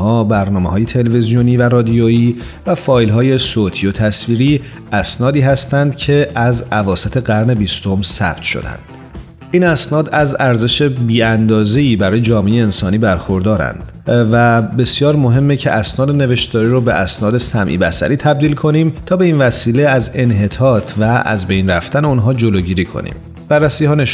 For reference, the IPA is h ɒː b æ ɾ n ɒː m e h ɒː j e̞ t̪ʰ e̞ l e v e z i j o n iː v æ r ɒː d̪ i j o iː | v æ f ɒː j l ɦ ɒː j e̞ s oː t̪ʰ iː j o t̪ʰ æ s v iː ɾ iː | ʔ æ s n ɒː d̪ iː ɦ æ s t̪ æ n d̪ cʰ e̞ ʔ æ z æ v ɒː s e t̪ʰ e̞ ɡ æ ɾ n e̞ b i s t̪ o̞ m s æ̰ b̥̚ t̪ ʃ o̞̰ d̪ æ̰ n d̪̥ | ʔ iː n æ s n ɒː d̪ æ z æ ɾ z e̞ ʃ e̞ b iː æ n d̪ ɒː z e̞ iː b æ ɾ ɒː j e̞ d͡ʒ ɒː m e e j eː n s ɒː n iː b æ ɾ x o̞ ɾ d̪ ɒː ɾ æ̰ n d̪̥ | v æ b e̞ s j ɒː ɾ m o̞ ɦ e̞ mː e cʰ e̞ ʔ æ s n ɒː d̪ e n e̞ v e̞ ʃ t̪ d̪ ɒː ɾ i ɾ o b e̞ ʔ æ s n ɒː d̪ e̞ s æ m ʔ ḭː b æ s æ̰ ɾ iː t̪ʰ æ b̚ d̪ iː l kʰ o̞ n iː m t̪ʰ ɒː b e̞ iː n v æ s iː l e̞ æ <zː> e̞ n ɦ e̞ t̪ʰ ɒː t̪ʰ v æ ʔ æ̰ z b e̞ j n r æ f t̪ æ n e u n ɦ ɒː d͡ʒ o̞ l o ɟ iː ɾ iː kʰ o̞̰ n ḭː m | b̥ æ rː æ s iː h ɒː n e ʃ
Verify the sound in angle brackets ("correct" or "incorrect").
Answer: incorrect